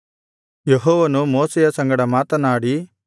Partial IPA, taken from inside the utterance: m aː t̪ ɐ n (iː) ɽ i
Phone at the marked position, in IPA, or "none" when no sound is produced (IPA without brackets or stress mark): aː